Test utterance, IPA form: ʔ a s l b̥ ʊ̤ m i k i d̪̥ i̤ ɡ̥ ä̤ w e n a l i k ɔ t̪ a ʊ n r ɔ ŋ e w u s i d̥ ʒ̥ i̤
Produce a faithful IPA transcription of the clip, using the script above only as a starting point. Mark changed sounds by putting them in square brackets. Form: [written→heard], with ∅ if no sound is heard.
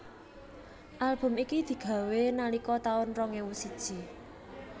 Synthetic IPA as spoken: ʔ a [s→∅] l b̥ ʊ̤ m i k i d̪̥ i̤ ɡ̥ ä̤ w e n a l i k ɔ t̪ a ʊ n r ɔ ŋ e w u s i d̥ ʒ̥ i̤